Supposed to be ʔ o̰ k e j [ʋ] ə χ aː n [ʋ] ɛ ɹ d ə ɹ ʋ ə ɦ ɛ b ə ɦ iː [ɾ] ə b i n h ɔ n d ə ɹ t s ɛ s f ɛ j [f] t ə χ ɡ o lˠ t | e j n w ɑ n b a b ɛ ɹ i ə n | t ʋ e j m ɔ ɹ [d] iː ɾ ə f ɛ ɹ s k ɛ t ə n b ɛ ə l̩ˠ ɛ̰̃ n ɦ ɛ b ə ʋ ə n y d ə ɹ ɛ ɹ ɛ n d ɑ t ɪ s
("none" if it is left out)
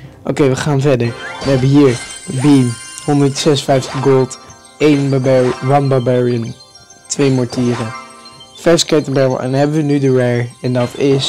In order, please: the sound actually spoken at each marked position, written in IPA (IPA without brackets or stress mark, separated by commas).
ʋ, v, ɹ, f, t